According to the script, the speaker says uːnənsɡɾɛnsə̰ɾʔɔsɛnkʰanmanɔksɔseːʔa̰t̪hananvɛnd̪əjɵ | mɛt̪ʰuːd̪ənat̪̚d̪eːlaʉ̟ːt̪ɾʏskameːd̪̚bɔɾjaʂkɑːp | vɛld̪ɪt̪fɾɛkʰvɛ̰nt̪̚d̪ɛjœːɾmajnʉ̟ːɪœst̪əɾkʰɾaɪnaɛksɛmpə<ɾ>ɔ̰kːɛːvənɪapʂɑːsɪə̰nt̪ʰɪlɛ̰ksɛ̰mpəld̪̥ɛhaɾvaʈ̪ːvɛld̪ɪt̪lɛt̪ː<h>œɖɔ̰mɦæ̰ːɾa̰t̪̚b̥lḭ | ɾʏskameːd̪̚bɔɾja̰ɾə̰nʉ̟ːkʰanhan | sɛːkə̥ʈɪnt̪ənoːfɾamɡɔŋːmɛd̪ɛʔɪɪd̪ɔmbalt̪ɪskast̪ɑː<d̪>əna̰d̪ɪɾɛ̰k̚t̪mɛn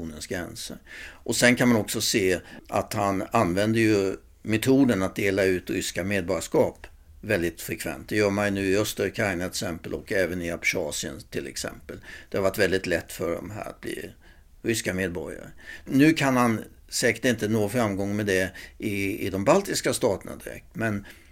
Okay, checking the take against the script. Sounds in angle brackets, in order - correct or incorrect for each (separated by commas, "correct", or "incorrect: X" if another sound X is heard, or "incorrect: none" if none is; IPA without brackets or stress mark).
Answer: incorrect: l, incorrect: f, incorrect: t̪